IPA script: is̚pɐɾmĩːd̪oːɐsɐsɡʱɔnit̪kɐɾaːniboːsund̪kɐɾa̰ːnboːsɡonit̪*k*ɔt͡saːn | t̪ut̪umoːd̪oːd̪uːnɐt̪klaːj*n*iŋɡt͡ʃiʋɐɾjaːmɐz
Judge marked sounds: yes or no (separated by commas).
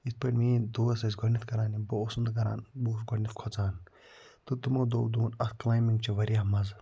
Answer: no, no